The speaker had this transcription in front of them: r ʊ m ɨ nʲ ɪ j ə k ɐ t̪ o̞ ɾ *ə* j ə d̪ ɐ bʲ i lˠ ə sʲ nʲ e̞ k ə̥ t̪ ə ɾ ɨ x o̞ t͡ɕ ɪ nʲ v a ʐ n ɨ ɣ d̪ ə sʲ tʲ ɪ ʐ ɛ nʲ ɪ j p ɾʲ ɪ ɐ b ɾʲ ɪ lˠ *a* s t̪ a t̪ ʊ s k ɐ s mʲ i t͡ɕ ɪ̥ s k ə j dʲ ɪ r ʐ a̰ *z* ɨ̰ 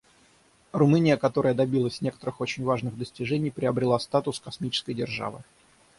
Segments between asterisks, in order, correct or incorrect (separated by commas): correct, correct, incorrect